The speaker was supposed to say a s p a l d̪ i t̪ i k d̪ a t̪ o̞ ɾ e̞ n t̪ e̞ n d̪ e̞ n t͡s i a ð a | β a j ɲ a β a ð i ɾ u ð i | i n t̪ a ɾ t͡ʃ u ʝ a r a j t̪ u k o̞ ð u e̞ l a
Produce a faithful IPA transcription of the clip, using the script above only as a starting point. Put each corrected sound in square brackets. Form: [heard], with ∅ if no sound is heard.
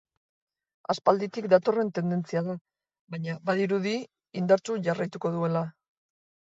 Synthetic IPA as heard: a s p a l d̪ i t̪ i k d̪ a t̪ o̞ [r] e̞ n t̪ e̞ n d̪ e̞ n t͡s i a ð a | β a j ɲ a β a ð i ɾ u ð i | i n [d̪] a ɾ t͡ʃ u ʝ a r a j t̪ u k o̞ ð u e̞ l a

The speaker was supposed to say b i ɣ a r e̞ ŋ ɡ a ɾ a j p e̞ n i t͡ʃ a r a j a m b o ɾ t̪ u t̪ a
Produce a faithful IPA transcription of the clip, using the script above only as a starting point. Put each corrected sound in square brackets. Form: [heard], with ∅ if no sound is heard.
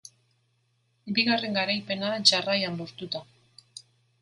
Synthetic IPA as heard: b i ɣ a r e̞ ŋ ɡ a ɾ a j p e̞ n [a] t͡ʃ a r a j a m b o ɾ t̪ u t̪ a

